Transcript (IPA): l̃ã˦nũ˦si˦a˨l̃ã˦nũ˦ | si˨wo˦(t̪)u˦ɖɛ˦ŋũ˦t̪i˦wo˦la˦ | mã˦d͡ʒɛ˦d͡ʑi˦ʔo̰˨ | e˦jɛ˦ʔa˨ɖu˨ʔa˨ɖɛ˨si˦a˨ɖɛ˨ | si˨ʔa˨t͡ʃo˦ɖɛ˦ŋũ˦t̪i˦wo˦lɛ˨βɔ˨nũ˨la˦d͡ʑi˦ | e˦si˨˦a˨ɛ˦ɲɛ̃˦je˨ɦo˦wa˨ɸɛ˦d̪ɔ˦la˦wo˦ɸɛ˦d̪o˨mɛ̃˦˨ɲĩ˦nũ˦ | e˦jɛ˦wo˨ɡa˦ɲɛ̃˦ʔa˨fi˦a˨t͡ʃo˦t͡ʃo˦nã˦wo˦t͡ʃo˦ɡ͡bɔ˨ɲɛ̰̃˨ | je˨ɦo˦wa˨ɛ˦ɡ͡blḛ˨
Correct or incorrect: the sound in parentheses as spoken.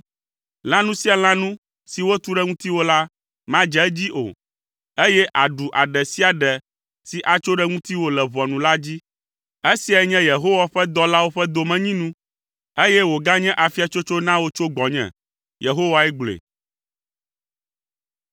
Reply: correct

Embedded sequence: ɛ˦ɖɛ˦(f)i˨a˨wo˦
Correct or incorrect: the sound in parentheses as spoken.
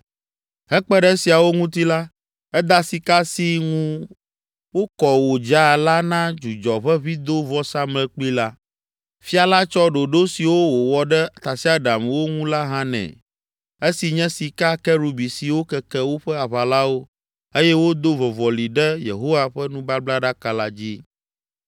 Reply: incorrect: s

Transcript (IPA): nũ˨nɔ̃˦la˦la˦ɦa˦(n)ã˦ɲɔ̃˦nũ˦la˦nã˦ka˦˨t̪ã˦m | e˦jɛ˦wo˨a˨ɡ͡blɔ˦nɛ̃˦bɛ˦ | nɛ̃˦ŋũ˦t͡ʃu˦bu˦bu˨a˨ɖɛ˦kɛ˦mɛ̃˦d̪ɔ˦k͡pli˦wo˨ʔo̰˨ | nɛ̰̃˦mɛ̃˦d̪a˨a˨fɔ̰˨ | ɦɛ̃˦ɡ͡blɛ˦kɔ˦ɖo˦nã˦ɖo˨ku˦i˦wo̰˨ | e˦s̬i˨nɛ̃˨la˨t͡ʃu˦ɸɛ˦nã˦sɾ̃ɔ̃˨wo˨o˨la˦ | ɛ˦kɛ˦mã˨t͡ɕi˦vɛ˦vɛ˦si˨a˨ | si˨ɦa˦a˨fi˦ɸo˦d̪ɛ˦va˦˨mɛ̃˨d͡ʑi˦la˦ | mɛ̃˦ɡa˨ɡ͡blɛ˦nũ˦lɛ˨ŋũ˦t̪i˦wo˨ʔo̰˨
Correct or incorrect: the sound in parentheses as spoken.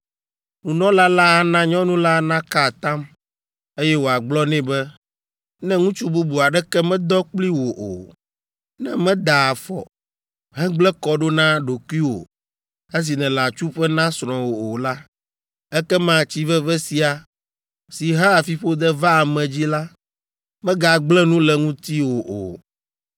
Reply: correct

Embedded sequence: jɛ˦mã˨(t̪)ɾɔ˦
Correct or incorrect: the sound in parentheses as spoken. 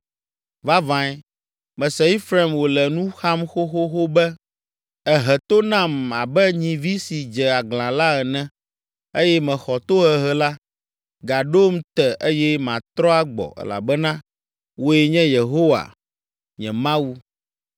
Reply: correct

